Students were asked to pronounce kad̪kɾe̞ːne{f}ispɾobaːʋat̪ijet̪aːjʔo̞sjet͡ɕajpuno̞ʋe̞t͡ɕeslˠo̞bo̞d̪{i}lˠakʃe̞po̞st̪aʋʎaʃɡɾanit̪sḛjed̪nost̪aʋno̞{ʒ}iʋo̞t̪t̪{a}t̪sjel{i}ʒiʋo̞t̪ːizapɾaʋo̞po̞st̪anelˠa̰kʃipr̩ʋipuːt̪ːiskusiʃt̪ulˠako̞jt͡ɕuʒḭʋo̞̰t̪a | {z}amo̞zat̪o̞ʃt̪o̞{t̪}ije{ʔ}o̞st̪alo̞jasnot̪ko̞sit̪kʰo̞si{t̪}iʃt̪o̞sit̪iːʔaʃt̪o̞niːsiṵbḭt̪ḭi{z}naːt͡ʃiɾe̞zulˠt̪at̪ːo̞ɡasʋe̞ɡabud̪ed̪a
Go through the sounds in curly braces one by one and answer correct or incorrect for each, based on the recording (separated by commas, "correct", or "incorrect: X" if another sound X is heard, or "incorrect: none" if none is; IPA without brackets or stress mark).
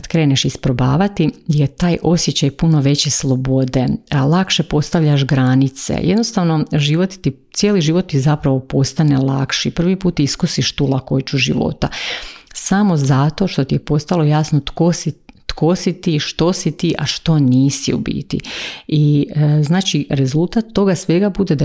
incorrect: ʃ, incorrect: e, correct, incorrect: i, correct, incorrect: s, correct, incorrect: p, correct, correct